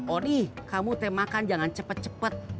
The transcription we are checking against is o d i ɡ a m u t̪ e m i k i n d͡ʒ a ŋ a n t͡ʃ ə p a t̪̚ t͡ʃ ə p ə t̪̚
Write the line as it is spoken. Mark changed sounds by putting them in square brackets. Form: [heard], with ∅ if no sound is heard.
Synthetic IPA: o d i [k] a m u t̪ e m [a] k [a] n d͡ʒ a ŋ a n t͡ʃ ə p [ə] t̪̚ t͡ʃ ə p ə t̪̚